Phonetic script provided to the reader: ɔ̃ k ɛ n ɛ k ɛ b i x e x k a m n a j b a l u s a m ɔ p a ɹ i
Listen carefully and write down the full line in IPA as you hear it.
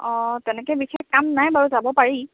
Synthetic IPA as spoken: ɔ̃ t ɛ n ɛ k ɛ b i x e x k a m n a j b a ɹ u z a b ɔ p a ɹ i